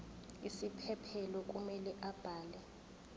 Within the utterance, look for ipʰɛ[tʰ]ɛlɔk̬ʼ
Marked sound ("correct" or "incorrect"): incorrect